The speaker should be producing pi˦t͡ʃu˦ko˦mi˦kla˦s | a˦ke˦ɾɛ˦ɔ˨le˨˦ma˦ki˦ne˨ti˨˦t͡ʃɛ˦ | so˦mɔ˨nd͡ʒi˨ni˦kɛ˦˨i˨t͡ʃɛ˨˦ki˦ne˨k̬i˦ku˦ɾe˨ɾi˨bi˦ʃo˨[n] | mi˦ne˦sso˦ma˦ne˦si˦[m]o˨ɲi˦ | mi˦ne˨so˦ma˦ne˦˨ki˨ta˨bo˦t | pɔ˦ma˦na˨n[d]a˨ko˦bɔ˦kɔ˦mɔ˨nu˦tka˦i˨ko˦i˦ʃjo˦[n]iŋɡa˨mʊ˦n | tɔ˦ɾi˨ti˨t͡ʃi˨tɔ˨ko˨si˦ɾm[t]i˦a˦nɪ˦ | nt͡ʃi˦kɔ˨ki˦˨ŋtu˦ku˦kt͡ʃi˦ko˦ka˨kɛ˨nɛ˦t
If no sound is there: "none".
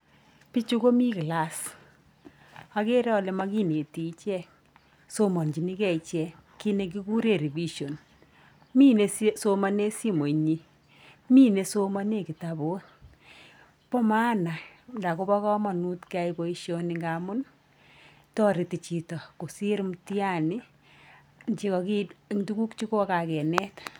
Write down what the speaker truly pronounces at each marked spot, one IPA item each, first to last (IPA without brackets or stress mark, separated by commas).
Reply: n, m, d, n, t